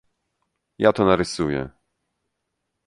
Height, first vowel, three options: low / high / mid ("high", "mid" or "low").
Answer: low